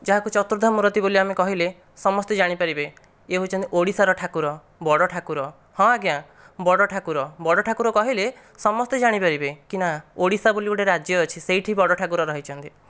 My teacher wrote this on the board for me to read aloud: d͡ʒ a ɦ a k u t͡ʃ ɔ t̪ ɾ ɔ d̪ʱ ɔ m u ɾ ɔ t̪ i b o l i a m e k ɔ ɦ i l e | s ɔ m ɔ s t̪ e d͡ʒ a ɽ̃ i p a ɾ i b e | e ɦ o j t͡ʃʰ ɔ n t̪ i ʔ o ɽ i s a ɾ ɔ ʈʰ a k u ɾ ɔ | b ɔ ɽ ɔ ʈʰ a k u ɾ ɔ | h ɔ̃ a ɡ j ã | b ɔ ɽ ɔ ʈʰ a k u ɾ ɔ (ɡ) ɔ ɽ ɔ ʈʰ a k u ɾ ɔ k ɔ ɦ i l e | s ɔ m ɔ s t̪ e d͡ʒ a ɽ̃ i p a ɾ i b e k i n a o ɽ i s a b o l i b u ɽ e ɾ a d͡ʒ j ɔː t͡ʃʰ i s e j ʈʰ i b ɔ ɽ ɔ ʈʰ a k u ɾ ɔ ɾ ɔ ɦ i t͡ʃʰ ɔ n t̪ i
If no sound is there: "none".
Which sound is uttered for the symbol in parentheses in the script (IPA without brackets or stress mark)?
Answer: b